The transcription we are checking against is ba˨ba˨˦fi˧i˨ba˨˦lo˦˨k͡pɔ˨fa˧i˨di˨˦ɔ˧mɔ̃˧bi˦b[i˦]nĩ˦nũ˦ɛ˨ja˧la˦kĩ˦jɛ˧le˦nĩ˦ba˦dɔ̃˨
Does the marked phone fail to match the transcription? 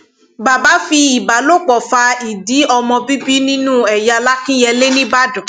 no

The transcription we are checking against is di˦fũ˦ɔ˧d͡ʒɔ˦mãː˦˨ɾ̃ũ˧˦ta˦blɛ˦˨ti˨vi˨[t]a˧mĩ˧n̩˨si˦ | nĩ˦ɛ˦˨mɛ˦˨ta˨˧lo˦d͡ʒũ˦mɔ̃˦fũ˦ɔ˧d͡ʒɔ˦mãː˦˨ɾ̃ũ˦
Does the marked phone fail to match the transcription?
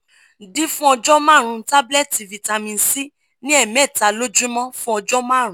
no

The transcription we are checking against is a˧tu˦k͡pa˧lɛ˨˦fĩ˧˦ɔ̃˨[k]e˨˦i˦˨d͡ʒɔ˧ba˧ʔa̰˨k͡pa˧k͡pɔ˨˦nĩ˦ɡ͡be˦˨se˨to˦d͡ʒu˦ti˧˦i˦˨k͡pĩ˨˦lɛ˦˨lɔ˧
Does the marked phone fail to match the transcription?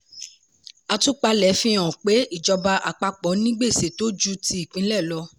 yes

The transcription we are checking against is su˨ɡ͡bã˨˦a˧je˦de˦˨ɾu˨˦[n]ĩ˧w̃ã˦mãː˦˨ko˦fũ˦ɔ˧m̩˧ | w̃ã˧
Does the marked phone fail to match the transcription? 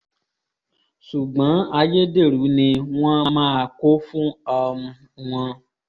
no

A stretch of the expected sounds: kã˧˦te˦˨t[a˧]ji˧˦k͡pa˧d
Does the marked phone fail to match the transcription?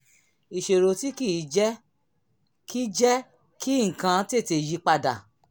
yes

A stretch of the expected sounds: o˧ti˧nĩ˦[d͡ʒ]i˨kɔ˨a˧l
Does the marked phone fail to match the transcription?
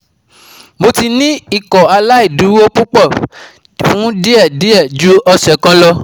yes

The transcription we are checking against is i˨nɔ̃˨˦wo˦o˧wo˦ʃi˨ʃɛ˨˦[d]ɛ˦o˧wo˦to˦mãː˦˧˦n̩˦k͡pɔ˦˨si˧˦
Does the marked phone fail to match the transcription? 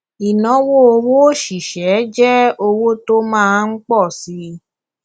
yes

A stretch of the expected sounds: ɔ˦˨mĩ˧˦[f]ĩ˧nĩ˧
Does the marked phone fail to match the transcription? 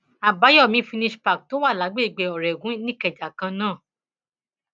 no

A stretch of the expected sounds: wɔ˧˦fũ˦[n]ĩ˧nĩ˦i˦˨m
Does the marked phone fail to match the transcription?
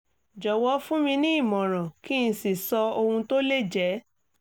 yes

